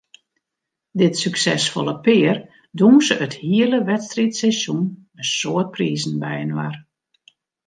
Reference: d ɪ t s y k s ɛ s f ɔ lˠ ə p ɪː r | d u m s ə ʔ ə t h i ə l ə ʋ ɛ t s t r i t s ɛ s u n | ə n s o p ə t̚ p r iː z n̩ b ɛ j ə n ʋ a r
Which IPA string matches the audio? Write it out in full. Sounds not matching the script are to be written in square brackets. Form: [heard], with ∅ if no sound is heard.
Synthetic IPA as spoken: d ɪ t s y k s ɛ s f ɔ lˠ ə p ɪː r | d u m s ə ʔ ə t h i ə l ə ʋ ɛ t s t r i t s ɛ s u n | ə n s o [∅] ə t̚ p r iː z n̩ b ɛ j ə n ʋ a r